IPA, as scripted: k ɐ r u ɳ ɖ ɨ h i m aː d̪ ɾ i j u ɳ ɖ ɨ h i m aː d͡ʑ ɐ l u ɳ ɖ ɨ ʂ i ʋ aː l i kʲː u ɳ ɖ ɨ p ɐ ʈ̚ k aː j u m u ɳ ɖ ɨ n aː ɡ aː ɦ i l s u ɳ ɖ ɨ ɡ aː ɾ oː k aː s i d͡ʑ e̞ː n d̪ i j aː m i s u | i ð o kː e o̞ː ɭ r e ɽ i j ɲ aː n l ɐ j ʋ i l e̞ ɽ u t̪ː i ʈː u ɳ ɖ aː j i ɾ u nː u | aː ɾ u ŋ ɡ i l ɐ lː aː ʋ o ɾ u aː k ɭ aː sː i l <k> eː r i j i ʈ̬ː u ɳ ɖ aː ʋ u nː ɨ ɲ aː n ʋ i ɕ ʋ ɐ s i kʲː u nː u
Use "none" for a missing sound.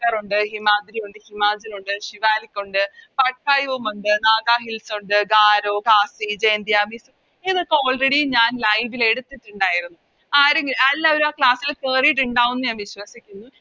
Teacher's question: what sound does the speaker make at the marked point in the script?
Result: k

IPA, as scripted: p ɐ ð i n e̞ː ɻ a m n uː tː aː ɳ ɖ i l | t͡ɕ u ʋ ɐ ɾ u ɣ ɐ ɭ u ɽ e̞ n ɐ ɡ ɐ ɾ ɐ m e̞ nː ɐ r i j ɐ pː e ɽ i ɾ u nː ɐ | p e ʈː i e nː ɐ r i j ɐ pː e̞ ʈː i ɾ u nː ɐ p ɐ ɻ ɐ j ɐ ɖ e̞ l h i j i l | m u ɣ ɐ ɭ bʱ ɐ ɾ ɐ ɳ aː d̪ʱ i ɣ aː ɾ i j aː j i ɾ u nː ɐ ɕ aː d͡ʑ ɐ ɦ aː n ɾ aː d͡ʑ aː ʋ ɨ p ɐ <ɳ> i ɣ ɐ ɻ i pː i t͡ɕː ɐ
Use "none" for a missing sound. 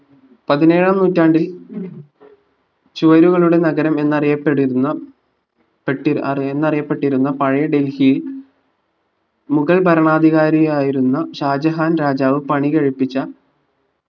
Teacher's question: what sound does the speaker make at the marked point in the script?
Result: ɳ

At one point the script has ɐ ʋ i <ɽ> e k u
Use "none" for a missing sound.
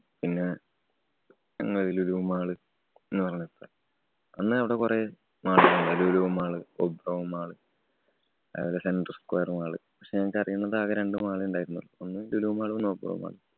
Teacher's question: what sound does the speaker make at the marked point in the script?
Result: ɽ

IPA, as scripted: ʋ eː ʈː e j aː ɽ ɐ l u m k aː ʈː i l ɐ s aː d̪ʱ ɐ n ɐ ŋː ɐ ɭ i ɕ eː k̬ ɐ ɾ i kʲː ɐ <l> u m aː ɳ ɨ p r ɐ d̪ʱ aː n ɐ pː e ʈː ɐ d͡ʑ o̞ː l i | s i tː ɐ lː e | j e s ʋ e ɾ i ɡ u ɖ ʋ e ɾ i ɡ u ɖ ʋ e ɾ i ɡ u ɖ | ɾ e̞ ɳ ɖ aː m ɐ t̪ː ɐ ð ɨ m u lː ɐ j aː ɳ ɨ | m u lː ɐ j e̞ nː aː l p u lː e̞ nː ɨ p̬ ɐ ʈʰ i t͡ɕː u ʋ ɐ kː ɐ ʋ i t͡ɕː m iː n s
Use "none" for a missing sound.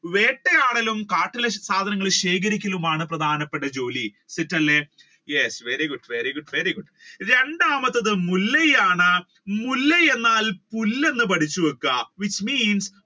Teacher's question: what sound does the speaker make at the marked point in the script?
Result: l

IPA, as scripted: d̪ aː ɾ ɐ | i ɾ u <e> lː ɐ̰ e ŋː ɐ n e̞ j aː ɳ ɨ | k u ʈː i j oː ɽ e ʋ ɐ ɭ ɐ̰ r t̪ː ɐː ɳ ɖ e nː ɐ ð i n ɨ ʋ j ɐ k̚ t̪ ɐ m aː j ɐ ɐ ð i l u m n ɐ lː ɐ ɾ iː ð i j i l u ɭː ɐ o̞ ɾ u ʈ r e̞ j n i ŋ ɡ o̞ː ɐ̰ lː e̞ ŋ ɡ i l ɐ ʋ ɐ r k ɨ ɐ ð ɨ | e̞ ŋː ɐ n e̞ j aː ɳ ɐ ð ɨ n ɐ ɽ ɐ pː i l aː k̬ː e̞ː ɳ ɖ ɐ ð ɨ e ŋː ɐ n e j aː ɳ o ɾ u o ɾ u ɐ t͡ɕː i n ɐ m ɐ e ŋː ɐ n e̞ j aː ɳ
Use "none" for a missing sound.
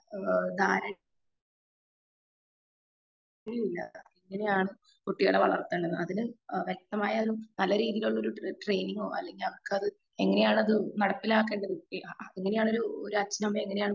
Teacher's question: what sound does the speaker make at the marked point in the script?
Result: i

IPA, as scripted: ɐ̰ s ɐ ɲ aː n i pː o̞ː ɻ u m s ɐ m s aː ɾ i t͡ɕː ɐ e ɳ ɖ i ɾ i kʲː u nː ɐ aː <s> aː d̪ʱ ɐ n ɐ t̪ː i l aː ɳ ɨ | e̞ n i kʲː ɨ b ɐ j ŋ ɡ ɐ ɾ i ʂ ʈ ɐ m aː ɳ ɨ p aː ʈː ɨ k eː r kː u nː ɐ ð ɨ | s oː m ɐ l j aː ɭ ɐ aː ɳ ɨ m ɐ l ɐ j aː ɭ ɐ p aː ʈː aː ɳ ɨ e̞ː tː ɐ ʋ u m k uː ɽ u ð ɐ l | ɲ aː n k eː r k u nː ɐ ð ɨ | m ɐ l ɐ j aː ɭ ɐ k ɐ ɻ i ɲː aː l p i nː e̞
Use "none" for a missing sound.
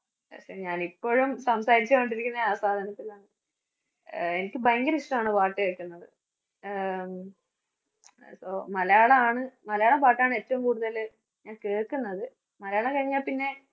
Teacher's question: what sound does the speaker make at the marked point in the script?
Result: s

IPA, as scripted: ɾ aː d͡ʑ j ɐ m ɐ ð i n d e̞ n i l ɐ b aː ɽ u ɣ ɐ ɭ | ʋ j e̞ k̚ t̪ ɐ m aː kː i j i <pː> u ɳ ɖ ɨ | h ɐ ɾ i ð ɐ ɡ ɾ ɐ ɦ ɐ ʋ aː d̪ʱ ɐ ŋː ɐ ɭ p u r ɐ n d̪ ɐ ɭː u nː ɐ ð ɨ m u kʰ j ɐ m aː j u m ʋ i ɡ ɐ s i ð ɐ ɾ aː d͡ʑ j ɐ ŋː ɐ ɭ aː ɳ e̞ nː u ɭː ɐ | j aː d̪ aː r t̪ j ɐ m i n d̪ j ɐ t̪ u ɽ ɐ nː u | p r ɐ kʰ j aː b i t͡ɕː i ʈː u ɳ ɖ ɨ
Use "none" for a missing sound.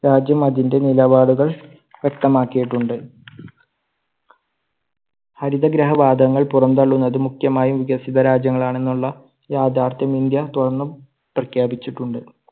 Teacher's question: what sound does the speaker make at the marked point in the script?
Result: ʈː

